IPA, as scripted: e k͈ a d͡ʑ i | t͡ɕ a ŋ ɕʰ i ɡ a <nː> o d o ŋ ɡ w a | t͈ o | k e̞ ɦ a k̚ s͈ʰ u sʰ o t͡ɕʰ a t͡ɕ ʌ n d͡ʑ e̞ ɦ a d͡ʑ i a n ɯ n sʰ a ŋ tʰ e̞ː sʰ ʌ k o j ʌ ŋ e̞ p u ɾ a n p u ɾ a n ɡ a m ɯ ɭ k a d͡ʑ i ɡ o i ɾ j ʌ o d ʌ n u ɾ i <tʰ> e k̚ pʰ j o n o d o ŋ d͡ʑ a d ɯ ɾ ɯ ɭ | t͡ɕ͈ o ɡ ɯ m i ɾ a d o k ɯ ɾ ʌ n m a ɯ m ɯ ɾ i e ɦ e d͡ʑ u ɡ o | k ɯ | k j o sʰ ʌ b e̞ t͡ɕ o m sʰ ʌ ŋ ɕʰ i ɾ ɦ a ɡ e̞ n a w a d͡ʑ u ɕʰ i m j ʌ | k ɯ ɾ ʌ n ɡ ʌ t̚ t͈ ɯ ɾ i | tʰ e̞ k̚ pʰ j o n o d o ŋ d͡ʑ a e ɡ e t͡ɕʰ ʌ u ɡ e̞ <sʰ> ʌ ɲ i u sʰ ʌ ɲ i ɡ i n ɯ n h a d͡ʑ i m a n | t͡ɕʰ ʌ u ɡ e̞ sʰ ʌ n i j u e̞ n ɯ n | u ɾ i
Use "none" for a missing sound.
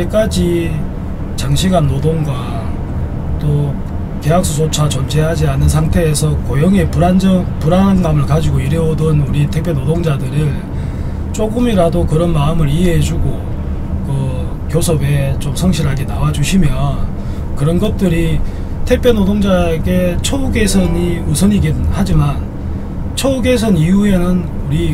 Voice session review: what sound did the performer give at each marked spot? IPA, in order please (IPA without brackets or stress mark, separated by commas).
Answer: nː, tʰ, sʰ